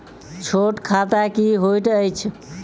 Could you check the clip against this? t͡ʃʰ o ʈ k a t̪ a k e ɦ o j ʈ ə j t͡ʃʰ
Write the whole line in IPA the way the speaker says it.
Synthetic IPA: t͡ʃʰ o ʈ kʰ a t̪ a k i ɦ o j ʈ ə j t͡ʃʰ

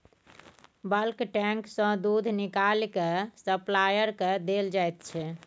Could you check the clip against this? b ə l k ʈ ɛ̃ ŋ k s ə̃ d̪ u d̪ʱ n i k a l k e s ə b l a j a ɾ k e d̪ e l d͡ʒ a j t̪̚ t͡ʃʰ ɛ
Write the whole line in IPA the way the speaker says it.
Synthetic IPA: b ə l k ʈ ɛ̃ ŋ k s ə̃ d̪ u d̪ʱ n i k a l k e s ə p l a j ə ɾ k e d̪ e l d͡ʒ a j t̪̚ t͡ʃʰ ɛ

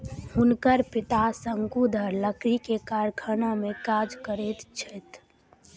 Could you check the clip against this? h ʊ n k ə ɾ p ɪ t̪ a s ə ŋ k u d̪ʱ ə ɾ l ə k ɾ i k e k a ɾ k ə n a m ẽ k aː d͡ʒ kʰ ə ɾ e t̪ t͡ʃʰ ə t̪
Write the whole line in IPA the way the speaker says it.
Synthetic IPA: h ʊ n k ə ɾ p ɪ t̪ a s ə ŋ k u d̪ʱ ə ɾ l ə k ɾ i k e k a ɾ kʰ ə n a m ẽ k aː d͡ʒ k ə ɾ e t̪ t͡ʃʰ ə t̪

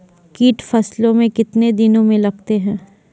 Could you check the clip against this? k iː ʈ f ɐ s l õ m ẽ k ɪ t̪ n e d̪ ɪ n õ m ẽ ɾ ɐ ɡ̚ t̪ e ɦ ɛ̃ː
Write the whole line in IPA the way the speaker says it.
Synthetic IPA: k iː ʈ f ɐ s l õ m ẽ k ɪ t̪ n e d̪ ɪ n õ m ẽ l ɐ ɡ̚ t̪ e ɦ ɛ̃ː

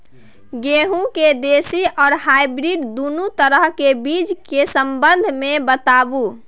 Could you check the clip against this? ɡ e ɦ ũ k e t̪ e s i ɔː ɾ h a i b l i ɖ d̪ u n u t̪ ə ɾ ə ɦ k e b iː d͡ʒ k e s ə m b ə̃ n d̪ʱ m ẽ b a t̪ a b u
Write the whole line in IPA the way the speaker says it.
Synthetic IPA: ɡ e ɦ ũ k e d̪ e s i ɔː ɾ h a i b ɾ i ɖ d̪ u n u t̪ ə ɾ ə ɦ k e b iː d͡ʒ k e s ə m b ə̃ n d̪ʱ m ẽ b ə t̪ a b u

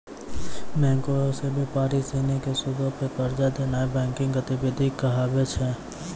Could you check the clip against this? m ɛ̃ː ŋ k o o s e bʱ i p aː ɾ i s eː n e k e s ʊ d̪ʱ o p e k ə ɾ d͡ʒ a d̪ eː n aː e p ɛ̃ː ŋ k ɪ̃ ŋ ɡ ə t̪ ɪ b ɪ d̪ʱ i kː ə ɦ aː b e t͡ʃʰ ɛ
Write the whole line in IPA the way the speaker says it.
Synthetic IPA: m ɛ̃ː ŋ k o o s e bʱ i p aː ɾ i s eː n e k e s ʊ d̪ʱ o p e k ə ɾ d͡ʒ a d̪ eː n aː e b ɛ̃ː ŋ k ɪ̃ ŋ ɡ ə t̪ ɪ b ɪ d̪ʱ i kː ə ɦ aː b e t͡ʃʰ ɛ

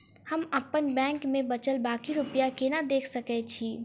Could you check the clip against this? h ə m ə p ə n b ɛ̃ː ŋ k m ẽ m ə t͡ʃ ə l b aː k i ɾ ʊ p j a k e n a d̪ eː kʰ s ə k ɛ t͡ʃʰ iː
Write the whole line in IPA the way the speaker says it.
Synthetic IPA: h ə m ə p ə n b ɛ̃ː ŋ k m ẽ b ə t͡ʃ ə l b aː k i ɾ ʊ p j a k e n a d̪ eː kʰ s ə k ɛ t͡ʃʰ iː

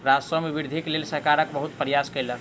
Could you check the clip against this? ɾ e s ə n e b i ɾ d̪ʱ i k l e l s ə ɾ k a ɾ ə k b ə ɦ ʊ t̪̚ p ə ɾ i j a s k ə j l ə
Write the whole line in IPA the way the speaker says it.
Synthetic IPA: ɾ a s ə m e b i ɾ d̪ʱ i k l e l s ə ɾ k a ɾ ə k b ə ɦ u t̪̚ p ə ɾ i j a s k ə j l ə

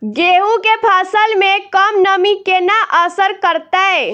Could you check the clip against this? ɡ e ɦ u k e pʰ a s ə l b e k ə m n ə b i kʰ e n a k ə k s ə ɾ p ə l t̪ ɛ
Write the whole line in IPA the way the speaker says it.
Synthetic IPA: ɡ e ɦ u k e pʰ a s ə l m e k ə m n ə m i k e n a ʔ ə s ə ɾ k ə ɾ t̪ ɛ

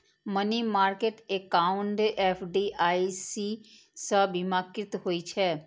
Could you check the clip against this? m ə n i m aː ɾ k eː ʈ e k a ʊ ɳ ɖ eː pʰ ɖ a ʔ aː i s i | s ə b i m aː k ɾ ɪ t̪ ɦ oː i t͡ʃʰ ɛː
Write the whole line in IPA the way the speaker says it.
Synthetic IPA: m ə n i m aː ɾ k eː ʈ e k a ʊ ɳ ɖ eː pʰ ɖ i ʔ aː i s i | s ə b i m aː k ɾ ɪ t̪ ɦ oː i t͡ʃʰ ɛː

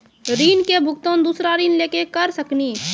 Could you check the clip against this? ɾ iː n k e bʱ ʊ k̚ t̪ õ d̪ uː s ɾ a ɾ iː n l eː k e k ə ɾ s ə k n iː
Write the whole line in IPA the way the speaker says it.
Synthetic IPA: ɾ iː n k e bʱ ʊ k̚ t̪ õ d̪ uː s ɾ a ɾ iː n l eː k e k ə ɾ s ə k n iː

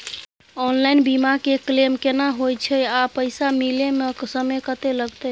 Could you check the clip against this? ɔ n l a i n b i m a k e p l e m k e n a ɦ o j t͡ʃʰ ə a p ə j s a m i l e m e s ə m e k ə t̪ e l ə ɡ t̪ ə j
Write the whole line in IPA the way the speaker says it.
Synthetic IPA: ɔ n l a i n b i m a k e k l e m k e n a ɦ o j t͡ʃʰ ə a p ə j s a m i l e m e s ə m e k ə t̪ e l ə ɡ t̪ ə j

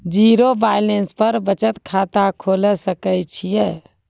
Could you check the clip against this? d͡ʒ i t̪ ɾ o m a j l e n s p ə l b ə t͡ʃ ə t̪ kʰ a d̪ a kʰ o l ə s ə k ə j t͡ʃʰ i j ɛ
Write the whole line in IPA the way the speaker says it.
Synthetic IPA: d͡ʒ i ɾ o b a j l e n s p ə ɾ b ə t͡ʃ ə t̪ kʰ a t̪ a kʰ o l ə s ə k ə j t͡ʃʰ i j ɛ

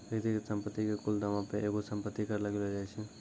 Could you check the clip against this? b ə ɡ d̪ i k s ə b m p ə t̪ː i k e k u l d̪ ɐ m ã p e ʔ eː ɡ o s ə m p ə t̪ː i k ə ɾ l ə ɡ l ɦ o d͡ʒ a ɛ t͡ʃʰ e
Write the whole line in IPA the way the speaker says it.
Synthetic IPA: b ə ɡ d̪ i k s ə m p ə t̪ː i k e k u l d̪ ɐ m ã p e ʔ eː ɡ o s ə m p ə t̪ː i k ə ɾ l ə ɡ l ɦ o d͡ʒ a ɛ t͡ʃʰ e

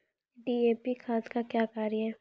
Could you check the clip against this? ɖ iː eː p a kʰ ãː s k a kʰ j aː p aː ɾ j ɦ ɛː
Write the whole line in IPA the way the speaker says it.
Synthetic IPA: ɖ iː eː p i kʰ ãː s k a k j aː k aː ɾ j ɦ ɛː

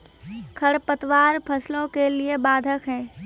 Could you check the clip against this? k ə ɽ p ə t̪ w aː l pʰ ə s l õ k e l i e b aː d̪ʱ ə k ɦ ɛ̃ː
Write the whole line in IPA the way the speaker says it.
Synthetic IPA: kʰ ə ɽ p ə t̪ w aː ɾ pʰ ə s l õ k e l i e b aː d̪ʱ ə k ɦ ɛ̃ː

